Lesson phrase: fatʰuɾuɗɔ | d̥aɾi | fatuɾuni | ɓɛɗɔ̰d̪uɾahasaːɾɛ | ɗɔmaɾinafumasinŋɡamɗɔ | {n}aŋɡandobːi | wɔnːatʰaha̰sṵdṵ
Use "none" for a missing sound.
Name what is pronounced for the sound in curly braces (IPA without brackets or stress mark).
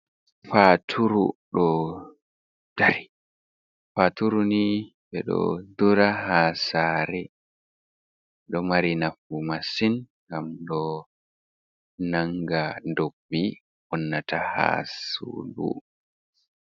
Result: n